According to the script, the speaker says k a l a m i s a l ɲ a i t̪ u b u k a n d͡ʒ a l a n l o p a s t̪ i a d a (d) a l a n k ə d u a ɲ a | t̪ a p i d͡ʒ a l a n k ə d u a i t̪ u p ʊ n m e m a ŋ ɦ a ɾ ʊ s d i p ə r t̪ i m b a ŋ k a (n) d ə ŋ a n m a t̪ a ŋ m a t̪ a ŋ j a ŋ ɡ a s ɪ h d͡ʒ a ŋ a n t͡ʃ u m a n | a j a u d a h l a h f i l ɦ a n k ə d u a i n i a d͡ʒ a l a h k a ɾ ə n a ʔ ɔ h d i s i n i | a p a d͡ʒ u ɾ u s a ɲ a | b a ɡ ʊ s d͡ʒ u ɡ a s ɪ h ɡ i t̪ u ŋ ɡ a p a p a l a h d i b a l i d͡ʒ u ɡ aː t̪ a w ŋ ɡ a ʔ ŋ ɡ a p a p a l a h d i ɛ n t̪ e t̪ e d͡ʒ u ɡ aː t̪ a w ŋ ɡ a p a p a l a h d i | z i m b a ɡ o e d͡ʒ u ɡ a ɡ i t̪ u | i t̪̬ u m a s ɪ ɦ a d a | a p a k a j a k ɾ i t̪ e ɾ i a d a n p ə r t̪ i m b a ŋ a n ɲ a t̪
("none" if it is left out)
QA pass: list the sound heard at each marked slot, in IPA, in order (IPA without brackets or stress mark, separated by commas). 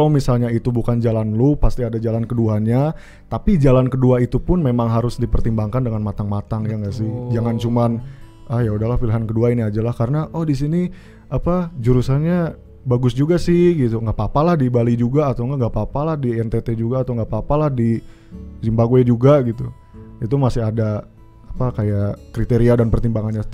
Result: d͡ʒ, n